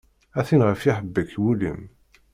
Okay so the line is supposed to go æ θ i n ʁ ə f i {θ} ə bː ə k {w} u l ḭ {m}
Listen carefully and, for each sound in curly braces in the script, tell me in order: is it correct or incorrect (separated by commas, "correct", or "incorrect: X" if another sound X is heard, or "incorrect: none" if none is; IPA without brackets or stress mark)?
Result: incorrect: ħ, correct, correct